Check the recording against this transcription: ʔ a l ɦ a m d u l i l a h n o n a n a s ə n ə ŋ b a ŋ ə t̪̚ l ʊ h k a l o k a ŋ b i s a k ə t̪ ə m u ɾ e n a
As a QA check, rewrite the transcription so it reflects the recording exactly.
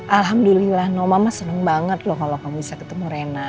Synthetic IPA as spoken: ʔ a l ɦ a m d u l i l a h n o m a m a s ə n ə ŋ b a ŋ ə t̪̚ l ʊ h k a l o k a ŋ b i s a k ə t̪ ə m u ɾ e n a